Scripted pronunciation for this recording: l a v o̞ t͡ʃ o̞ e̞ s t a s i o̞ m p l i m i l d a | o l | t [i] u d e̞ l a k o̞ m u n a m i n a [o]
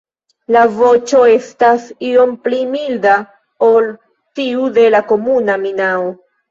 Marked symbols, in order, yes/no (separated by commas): yes, yes